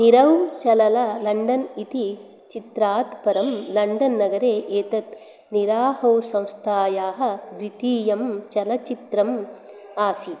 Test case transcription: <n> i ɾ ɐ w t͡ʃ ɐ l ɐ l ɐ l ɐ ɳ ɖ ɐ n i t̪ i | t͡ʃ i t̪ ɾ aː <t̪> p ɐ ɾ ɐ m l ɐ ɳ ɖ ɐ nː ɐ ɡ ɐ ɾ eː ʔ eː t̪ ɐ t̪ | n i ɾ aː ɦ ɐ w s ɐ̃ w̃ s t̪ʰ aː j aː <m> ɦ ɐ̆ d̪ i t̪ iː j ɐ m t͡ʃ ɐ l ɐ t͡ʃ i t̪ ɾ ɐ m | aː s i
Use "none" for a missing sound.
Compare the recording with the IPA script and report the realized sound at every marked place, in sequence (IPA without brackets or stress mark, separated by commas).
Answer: n, t̪, none